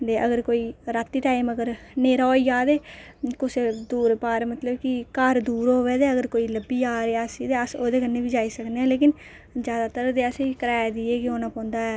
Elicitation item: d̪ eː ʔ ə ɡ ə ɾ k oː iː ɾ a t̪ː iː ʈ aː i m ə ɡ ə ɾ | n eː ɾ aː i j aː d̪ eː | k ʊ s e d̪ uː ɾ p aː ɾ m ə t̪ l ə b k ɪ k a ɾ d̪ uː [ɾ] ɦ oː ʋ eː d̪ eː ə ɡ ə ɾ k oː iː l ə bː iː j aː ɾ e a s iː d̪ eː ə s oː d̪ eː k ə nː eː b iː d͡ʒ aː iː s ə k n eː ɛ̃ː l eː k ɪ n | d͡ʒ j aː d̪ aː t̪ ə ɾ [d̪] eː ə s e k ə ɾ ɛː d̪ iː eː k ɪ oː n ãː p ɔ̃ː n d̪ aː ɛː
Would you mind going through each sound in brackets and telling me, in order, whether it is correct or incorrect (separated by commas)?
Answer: correct, correct